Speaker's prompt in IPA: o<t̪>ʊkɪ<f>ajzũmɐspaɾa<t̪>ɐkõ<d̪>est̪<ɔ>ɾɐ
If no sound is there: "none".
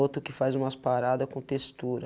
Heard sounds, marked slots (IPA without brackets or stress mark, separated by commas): t̪, f, d̪, t̪, u